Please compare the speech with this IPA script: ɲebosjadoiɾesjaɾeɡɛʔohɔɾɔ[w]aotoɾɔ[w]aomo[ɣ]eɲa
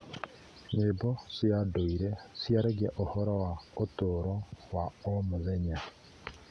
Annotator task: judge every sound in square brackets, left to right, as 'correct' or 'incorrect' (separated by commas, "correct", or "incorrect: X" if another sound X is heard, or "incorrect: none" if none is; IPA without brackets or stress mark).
correct, correct, incorrect: ð